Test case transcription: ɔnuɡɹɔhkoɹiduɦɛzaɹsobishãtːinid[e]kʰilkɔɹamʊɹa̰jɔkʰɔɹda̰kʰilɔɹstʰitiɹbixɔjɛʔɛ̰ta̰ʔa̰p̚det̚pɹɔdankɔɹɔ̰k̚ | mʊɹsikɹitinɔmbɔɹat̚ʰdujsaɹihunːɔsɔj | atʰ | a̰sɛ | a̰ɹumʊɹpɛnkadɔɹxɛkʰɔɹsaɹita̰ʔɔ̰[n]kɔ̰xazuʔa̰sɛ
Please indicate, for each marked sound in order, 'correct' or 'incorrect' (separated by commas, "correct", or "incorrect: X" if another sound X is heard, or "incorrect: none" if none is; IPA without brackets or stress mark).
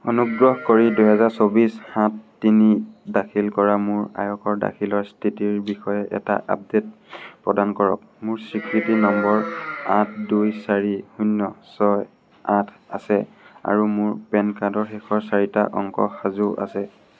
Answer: incorrect: a, incorrect: ŋ